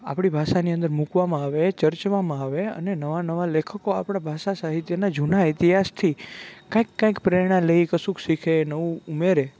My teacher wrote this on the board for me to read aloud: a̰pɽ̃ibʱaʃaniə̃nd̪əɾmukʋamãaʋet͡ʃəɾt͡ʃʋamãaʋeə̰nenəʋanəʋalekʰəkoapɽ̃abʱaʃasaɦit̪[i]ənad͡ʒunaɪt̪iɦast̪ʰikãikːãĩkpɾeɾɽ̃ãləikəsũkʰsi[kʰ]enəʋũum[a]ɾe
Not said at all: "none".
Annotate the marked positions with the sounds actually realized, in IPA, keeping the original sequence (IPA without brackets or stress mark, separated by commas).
j, kʰ, e